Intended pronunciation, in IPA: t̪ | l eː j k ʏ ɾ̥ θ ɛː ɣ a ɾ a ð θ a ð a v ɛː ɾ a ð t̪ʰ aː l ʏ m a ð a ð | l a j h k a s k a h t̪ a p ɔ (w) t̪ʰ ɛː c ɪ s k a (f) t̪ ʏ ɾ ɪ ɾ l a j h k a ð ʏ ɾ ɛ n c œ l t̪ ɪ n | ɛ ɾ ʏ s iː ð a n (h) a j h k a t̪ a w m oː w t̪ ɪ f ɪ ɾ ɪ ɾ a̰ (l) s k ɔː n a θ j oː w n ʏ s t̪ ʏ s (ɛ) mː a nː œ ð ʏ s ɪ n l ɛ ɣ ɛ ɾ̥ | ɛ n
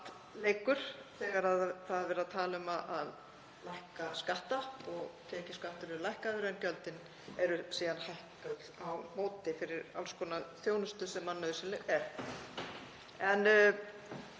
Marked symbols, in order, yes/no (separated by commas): no, no, yes, yes, yes